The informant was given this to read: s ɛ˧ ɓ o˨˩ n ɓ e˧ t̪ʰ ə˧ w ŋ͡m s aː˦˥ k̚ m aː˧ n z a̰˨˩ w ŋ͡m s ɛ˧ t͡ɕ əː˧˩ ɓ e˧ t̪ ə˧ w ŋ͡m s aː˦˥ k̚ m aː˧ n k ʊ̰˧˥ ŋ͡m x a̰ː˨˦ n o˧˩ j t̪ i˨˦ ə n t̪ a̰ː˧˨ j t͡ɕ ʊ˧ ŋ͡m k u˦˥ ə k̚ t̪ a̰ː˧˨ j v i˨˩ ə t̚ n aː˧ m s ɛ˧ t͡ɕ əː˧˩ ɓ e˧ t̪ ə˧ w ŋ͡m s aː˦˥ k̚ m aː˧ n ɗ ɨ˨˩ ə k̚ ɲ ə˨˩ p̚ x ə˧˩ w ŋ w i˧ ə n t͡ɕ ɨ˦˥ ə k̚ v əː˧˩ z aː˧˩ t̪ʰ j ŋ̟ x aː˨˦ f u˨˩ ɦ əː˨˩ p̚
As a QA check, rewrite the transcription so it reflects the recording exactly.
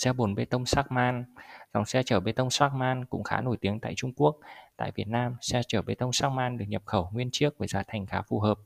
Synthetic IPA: s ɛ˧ ɓ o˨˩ n ɓ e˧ t̪ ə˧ w ŋ͡m s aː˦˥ k̚ m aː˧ n z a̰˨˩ w ŋ͡m s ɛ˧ t͡ɕ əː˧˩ ɓ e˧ t̪ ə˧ w ŋ͡m s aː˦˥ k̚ m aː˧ n k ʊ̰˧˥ ŋ͡m x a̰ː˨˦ n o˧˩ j t̪ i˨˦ ə ŋ t̪ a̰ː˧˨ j t͡ɕ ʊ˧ ŋ͡m k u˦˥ ə k̚ t̪ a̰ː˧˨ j v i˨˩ ə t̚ n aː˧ m s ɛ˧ t͡ɕ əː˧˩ ɓ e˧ t̪ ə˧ w ŋ͡m s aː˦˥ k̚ m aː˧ n ɗ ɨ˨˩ ə k̚ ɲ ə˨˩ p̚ x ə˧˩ w ŋ w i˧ ə n t͡ɕ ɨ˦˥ ə k̚ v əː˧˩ z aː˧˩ t̪ʰ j ŋ̟ x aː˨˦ f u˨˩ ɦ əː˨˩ p̚